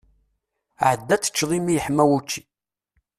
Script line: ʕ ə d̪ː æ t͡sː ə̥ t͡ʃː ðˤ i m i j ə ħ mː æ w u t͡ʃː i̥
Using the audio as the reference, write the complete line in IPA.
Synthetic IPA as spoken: ʕ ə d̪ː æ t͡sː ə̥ t͡ʃː ðˤ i m i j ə ħ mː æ w u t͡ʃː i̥